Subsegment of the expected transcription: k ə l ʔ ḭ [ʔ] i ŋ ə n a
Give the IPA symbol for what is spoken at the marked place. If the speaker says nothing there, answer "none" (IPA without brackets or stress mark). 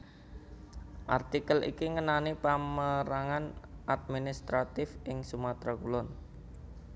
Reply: k